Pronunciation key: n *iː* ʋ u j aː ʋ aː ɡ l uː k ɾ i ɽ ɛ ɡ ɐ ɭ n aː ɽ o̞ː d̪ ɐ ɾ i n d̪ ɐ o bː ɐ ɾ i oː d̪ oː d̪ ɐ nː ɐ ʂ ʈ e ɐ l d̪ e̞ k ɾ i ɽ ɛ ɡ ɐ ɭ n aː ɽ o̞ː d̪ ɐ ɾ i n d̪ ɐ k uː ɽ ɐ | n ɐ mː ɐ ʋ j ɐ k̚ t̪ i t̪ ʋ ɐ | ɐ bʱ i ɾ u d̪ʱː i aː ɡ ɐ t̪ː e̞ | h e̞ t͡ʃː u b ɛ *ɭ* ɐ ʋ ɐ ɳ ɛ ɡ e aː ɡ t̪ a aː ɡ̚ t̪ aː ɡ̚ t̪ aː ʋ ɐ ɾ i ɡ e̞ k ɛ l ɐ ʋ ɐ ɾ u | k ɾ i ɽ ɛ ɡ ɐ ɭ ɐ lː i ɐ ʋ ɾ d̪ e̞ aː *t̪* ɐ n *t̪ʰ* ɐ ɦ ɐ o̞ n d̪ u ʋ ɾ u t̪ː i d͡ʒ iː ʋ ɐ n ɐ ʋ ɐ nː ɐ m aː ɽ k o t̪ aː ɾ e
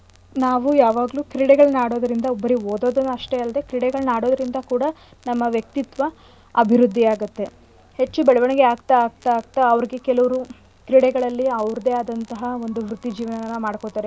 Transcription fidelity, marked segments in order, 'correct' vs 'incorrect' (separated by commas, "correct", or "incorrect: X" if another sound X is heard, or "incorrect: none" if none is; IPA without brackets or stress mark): incorrect: aː, correct, incorrect: d̪, incorrect: t̪